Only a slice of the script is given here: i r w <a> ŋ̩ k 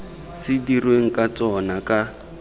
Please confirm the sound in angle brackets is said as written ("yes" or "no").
no